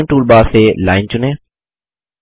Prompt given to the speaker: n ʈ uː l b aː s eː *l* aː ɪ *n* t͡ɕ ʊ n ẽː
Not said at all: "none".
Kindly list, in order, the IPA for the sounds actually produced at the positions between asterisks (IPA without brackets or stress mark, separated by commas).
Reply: l, n